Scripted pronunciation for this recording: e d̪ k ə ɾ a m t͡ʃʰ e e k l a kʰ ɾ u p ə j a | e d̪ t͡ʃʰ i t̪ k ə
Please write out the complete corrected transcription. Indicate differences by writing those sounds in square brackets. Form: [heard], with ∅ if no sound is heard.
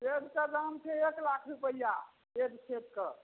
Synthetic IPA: e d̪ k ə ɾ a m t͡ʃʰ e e k l a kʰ ɾ u p ə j a | e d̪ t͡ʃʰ [e] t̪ k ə